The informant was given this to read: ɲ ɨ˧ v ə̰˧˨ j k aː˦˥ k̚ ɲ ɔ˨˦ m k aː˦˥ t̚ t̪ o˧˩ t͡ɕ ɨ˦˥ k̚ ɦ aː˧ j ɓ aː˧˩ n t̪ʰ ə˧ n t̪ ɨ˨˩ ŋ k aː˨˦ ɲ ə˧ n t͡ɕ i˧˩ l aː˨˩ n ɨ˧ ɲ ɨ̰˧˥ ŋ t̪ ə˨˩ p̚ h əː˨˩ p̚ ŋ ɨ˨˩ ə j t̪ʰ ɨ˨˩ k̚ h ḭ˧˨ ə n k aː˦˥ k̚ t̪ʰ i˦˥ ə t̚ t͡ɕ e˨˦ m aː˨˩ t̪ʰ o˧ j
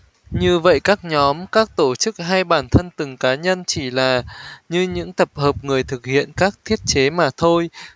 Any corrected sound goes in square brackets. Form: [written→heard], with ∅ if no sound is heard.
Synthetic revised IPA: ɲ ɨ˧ v ə̰˧˨ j k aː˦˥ k̚ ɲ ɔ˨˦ m k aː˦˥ [t̚→k̚] t̪ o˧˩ t͡ɕ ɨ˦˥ k̚ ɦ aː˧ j ɓ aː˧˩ n t̪ʰ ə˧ n t̪ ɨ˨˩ ŋ k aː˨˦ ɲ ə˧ n t͡ɕ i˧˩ l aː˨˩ [n→ɲ] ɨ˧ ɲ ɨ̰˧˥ ŋ t̪ ə˨˩ p̚ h əː˨˩ p̚ ŋ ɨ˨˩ ə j t̪ʰ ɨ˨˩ k̚ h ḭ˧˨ ə n k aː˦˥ k̚ t̪ʰ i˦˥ ə t̚ t͡ɕ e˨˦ m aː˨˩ t̪ʰ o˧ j